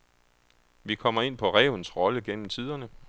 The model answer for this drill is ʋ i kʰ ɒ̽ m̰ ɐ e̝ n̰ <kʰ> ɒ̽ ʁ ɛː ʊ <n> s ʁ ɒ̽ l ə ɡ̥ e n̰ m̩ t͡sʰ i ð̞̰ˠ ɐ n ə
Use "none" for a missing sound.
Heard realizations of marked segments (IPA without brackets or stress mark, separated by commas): pʰ, n